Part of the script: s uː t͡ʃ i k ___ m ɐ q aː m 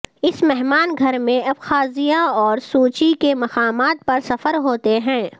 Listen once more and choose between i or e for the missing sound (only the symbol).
e